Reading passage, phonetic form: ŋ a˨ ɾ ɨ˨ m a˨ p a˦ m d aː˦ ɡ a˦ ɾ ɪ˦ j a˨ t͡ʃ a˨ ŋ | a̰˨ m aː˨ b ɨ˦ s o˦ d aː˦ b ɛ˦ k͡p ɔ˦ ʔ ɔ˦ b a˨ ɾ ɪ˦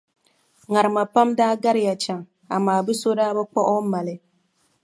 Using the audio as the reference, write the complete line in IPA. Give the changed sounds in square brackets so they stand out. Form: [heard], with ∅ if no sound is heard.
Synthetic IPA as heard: ŋ a˨ ɾ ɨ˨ m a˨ p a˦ m d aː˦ ɡ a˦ ɾ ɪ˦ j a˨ t͡ʃ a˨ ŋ | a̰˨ m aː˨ b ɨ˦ s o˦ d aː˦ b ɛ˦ k͡p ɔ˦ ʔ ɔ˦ [m] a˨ [l] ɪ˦